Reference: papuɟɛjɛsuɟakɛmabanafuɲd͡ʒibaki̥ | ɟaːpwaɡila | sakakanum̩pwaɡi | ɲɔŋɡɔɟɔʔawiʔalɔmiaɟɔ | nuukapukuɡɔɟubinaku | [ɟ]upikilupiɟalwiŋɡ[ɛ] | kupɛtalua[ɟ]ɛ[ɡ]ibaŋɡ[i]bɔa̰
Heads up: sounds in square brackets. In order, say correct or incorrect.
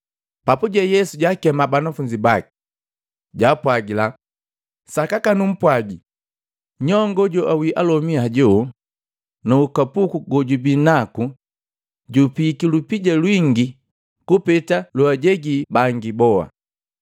correct, incorrect, correct, correct, correct

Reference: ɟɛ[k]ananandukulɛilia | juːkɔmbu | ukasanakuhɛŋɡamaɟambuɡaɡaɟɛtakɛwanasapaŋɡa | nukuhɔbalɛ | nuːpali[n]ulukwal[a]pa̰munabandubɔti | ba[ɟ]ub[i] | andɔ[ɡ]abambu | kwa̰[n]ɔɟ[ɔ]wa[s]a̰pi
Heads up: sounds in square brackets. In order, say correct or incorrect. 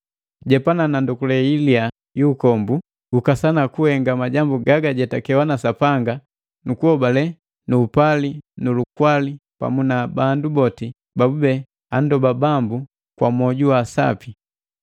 incorrect, correct, incorrect, incorrect, incorrect, incorrect, incorrect, incorrect, correct

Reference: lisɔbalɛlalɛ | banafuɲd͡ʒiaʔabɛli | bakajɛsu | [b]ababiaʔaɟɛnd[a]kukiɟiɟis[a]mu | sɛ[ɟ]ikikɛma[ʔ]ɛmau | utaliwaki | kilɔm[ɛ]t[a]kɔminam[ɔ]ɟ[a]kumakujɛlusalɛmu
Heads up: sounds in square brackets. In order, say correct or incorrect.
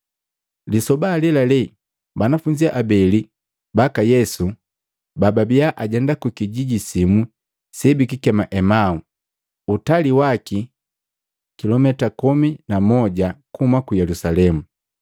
correct, correct, incorrect, incorrect, correct, correct, correct, correct, correct

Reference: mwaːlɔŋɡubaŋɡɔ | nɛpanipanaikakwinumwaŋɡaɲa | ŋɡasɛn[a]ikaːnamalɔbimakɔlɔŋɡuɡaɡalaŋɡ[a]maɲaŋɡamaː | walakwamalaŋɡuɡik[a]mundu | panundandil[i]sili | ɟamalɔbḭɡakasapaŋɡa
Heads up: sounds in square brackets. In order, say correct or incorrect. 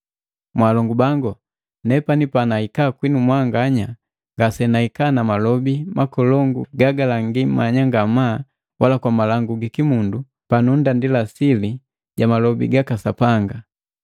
correct, incorrect, incorrect, incorrect

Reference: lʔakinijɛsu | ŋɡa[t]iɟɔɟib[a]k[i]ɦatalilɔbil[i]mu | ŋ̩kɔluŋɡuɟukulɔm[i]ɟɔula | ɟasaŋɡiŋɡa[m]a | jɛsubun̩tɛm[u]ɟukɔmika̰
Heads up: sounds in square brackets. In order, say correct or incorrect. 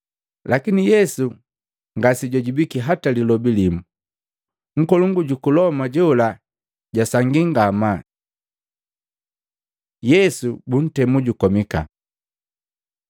incorrect, incorrect, correct, correct, incorrect, correct, correct

